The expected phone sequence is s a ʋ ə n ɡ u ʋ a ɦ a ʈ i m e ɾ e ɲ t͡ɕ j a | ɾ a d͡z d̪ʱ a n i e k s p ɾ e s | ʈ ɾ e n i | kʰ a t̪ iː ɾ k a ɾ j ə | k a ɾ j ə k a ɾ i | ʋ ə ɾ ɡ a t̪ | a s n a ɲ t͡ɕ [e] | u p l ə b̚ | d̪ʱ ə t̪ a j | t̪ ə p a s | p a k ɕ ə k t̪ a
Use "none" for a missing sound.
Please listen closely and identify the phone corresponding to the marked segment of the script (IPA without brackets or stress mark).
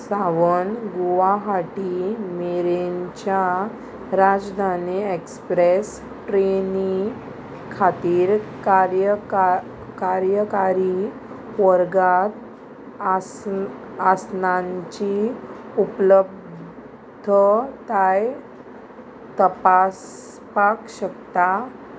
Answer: i